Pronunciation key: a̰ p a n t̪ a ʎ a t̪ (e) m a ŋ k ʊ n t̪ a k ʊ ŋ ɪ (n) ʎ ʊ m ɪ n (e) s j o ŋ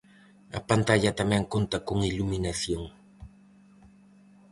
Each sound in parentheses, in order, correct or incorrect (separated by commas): incorrect, incorrect, incorrect